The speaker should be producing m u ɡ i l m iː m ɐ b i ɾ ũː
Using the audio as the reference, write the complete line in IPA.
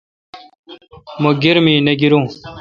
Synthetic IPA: m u ɡ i ɾ m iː n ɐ ɡ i ɾ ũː